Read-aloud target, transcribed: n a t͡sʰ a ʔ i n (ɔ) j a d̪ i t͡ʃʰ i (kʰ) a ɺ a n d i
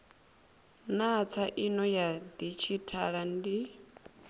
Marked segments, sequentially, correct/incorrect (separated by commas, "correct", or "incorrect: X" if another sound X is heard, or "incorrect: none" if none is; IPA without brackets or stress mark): correct, incorrect: tʰ